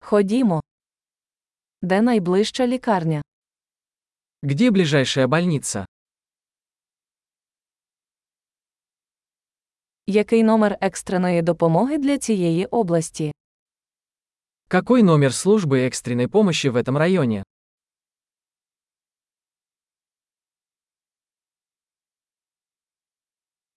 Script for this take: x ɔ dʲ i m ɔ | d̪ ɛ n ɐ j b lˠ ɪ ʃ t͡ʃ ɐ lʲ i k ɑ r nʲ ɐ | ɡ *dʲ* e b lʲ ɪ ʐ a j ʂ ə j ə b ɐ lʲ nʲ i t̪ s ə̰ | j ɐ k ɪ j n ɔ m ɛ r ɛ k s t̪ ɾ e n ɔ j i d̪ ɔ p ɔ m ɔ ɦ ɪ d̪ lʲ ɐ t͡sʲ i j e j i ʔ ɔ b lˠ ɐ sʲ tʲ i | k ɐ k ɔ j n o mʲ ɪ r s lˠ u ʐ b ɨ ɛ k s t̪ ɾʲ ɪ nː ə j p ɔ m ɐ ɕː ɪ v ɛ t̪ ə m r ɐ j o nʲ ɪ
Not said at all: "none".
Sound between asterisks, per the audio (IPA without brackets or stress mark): dʲ